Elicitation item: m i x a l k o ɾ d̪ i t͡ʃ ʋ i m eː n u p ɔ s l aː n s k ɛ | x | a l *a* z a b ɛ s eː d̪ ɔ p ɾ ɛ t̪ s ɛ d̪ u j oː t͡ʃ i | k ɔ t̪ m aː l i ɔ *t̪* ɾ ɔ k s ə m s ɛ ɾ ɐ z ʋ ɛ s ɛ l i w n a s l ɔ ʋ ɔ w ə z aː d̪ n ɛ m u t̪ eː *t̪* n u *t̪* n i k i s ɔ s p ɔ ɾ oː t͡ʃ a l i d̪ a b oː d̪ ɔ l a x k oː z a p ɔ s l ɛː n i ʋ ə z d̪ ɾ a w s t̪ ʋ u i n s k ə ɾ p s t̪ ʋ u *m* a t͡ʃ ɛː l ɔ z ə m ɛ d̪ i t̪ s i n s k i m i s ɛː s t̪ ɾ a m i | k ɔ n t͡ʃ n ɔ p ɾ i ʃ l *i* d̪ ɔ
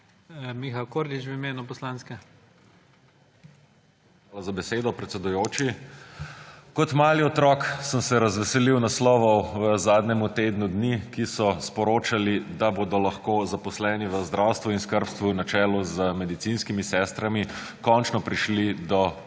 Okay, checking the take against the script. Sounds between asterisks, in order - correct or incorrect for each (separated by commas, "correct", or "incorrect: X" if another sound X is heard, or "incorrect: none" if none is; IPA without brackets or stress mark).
correct, correct, incorrect: d̪, incorrect: d̪, incorrect: n, correct